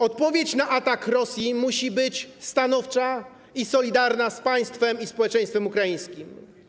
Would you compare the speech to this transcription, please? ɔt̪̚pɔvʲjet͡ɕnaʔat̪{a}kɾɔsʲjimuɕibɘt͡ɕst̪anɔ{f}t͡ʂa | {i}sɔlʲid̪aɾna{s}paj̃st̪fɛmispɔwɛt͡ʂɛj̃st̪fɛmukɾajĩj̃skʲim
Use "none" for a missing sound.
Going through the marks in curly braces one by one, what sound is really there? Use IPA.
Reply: a, f, i, s

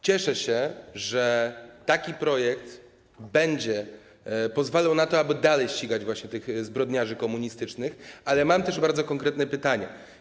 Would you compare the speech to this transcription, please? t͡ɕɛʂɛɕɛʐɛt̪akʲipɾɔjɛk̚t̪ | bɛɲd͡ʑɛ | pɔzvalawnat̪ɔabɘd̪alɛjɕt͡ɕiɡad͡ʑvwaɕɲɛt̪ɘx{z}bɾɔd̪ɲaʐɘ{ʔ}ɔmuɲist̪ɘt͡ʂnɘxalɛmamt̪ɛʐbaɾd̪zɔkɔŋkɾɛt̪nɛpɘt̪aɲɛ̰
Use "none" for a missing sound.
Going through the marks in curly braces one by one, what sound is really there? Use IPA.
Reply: z, k

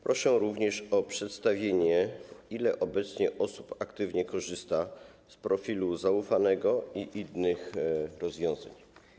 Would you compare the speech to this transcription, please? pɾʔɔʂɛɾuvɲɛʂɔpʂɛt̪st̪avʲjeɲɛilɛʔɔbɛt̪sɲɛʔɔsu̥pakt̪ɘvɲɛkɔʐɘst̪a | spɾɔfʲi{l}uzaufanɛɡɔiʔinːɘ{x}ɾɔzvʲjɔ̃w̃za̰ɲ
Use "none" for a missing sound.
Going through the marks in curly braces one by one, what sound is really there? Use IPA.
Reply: l, x

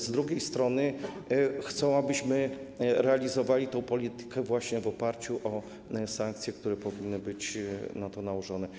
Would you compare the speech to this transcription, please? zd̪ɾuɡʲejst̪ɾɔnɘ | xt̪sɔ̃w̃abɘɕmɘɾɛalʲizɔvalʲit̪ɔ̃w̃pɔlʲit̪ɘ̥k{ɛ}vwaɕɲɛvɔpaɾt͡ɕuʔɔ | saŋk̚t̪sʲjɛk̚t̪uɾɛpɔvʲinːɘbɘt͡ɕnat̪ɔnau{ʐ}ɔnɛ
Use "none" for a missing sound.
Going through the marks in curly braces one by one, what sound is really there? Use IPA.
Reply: ɛ, ʐ

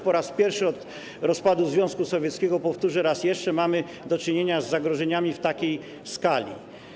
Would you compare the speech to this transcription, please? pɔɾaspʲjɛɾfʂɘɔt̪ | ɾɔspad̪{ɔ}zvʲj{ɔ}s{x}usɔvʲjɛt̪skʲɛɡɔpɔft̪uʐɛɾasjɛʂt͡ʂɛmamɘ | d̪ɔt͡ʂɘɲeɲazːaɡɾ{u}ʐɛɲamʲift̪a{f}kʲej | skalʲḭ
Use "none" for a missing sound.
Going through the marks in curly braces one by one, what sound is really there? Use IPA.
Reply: u, ɔ̃, k, ɔ, none

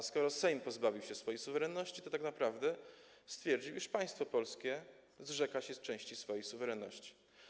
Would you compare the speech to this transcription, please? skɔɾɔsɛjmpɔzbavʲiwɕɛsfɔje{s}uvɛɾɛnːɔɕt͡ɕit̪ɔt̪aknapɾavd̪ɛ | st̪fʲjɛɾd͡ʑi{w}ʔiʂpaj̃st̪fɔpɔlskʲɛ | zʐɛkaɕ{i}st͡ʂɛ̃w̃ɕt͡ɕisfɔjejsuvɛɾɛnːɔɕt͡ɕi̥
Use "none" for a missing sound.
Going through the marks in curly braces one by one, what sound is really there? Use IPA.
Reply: s, w, ɛ

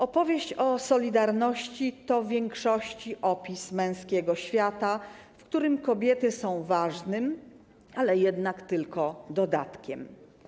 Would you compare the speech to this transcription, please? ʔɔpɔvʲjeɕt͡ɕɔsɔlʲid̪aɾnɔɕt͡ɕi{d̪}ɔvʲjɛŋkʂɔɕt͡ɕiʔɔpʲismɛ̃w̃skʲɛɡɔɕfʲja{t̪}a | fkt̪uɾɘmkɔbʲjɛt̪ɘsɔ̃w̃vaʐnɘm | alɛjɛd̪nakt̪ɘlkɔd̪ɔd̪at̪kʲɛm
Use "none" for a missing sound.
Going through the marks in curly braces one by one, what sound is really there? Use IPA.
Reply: t̪, t̪

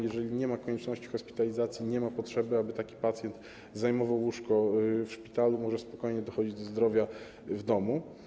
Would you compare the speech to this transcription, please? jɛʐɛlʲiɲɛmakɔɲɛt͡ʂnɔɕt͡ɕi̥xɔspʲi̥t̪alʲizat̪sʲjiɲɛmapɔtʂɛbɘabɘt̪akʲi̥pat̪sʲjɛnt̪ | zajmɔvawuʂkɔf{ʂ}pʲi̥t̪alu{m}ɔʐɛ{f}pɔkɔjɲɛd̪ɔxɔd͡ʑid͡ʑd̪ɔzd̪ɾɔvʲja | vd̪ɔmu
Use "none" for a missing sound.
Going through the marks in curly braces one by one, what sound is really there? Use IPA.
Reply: ʂ, m, s

